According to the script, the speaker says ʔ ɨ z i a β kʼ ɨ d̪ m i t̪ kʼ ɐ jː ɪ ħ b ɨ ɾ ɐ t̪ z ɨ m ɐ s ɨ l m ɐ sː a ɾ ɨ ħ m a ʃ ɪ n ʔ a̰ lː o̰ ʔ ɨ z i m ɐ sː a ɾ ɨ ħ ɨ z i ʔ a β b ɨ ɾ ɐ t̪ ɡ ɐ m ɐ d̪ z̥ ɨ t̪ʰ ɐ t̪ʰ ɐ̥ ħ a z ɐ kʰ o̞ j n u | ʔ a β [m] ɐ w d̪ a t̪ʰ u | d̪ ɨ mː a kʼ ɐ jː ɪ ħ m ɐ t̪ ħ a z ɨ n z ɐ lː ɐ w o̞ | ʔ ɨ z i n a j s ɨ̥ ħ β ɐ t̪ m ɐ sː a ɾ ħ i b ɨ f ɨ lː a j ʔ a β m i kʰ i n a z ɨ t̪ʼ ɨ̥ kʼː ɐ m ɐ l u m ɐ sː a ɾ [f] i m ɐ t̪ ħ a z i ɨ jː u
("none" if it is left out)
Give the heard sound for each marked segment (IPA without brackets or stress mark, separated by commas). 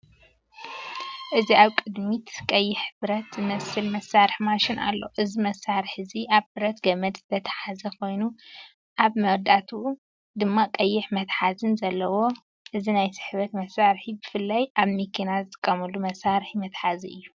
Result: m, ħ